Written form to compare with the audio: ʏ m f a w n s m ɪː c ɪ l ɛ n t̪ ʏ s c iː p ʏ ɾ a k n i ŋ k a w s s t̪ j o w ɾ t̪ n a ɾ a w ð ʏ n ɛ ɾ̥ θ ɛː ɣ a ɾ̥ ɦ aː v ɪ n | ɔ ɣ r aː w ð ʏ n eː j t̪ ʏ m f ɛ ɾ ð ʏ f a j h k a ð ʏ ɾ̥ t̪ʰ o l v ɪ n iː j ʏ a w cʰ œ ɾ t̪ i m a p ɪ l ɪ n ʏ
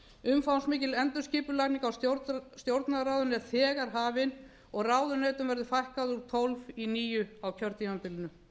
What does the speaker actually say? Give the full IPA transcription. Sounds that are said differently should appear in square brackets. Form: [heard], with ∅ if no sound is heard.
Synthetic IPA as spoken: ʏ m f a w n s m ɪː c ɪ l ɛ n t̪ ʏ s c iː p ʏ [l] a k n i ŋ k a w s s t̪ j o w ɾ t̪ n a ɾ a w ð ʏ n ɛ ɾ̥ θ ɛː ɣ a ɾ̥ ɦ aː v ɪ n | ɔ ɣ r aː w ð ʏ n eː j t̪ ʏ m [v] ɛ ɾ ð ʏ f a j h k a ð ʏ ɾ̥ t̪ʰ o l v [i] n iː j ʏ a w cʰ œ ɾ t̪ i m a p ɪ l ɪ n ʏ